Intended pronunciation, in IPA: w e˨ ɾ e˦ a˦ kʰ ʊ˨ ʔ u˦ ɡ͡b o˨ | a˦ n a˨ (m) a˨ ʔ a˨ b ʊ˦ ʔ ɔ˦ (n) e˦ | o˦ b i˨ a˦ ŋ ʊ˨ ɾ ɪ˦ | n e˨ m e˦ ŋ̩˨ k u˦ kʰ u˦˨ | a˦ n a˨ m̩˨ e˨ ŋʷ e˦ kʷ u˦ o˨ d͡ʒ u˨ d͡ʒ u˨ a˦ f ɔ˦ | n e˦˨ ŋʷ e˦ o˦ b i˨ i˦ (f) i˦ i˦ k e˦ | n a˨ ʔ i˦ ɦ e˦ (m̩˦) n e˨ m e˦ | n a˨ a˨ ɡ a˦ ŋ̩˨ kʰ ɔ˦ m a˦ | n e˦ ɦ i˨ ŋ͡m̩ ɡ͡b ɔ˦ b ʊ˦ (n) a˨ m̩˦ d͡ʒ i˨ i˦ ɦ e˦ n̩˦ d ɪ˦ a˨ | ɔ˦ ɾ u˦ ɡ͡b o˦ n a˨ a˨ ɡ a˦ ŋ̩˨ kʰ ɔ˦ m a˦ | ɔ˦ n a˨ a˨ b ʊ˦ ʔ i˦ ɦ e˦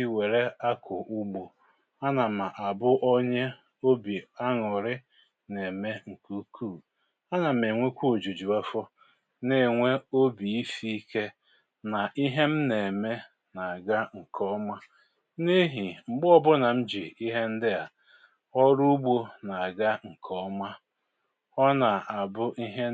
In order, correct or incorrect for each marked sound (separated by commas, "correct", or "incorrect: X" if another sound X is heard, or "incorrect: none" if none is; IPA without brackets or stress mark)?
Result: correct, incorrect: ɲ, correct, correct, correct